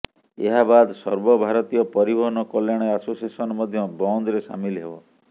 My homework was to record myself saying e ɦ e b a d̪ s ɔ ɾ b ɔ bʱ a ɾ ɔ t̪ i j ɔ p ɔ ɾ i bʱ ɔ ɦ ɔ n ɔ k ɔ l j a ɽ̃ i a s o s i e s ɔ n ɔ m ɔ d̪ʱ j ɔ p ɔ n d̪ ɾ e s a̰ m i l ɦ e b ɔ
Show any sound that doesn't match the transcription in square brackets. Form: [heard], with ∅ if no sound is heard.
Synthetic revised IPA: e ɦ [a] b a d̪ s ɔ ɾ b ɔ bʱ a ɾ ɔ t̪ i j ɔ p ɔ ɾ i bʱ ɔ ɦ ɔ n ɔ k ɔ l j a ɽ̃ [e] a s o s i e s ɔ n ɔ m ɔ d̪ʱ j ɔ [b] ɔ n d̪ ɾ e s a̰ m i l ɦ e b ɔ